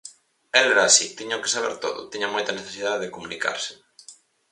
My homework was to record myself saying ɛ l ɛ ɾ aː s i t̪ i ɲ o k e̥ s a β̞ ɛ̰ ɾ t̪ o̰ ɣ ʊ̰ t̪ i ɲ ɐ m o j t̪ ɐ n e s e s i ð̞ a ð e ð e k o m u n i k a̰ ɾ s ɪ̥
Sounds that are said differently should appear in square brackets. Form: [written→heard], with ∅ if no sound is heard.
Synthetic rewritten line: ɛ l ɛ ɾ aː s i t̪ i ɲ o k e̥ s a β̞ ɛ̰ ɾ t̪ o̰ [ɣ→ð] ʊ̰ t̪ i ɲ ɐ m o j t̪ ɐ n e [s→θ] e s i ð̞ a ð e ð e k o m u n i k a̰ ɾ s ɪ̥